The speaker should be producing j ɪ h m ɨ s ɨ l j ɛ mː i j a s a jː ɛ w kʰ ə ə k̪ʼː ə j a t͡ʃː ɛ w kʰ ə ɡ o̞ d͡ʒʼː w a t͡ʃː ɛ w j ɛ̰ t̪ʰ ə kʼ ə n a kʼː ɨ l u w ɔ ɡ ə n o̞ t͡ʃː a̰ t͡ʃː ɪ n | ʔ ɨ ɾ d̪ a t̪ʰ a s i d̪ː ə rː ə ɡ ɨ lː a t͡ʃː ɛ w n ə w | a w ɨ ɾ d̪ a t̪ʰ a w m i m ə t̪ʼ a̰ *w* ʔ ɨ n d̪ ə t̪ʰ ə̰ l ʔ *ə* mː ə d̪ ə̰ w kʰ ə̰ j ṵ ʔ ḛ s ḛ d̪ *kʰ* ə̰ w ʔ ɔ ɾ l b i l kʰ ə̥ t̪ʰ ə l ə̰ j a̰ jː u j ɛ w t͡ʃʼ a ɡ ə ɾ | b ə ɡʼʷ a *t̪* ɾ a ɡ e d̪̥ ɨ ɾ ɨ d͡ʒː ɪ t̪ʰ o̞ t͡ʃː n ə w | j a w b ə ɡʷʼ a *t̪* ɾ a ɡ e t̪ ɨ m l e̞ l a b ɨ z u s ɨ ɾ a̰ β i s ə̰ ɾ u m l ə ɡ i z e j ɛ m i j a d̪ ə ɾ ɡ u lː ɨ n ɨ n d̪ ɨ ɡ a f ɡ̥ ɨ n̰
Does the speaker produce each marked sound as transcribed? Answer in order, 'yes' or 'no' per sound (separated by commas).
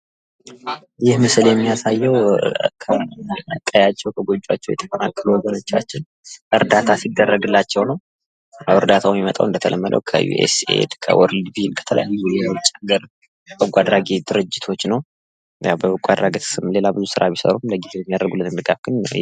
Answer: yes, yes, yes, no, no